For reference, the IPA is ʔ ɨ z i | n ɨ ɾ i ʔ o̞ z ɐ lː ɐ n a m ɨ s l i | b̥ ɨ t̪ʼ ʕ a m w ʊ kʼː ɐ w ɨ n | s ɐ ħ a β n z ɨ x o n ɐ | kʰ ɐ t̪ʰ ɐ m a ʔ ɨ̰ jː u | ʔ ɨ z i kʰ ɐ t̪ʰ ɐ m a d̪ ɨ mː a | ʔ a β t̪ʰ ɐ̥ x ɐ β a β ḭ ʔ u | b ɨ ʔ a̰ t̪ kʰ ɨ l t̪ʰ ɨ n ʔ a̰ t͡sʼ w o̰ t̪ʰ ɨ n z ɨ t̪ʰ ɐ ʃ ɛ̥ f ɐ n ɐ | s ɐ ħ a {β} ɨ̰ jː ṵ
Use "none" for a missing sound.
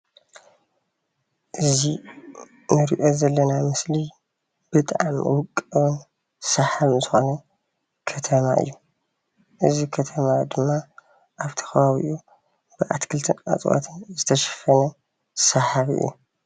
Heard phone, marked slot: β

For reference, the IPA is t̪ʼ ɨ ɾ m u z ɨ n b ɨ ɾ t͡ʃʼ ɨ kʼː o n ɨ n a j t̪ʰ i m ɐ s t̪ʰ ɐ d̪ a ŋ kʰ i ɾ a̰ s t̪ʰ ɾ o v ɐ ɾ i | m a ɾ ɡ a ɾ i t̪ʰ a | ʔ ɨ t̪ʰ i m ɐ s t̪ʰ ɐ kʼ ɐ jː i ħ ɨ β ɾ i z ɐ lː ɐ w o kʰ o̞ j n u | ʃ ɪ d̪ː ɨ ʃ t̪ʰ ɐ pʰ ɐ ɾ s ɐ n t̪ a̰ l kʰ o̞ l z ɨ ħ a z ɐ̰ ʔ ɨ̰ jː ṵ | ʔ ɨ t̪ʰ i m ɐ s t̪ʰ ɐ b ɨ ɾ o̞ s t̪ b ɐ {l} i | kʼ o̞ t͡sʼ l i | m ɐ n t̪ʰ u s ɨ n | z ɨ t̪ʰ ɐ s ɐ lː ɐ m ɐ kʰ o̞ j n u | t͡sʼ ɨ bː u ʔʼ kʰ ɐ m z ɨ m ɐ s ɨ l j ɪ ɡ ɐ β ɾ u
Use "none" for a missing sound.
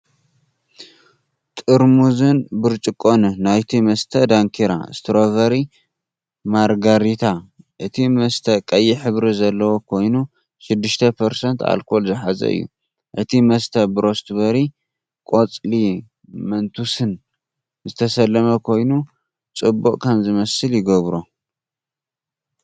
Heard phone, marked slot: ɾ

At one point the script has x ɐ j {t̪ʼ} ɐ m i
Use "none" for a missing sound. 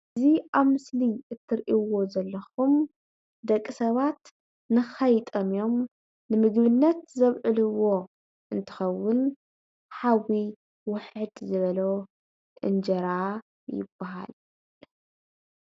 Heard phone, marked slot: t̪ʼ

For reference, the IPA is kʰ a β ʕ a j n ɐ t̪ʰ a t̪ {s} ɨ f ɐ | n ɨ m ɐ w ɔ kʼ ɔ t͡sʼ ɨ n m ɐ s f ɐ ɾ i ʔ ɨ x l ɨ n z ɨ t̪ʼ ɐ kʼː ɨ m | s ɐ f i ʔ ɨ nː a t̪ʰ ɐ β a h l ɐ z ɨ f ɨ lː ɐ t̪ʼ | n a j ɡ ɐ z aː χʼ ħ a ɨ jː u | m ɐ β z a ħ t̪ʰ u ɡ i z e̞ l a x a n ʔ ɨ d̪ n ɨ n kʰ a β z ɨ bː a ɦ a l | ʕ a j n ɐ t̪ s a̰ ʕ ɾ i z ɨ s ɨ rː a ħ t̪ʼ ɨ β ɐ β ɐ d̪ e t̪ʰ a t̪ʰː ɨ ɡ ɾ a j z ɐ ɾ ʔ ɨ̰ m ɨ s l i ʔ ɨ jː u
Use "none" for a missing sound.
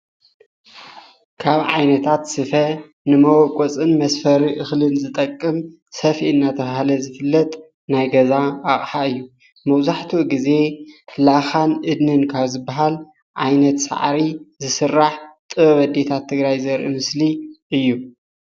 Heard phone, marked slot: s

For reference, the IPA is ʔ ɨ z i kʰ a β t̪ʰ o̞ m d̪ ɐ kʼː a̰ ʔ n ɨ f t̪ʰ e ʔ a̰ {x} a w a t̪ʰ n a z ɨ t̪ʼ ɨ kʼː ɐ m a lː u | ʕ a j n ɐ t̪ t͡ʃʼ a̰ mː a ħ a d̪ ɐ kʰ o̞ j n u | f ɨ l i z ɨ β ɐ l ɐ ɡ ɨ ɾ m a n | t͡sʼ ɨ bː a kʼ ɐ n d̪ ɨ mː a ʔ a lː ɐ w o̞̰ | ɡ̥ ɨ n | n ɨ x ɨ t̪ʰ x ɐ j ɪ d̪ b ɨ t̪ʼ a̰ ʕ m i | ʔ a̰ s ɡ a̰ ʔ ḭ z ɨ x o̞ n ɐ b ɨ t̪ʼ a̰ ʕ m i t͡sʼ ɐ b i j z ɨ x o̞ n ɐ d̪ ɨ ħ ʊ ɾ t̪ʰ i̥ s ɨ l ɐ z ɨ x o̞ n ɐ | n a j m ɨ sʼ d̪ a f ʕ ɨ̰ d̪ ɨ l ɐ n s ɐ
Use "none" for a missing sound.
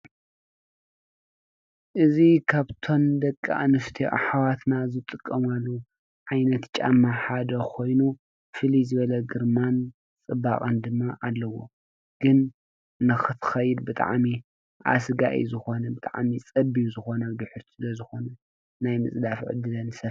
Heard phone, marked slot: ħ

